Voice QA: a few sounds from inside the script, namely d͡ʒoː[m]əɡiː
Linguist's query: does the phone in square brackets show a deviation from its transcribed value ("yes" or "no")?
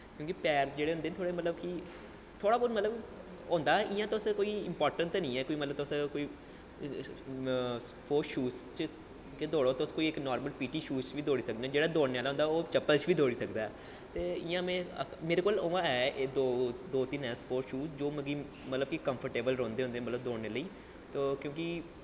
no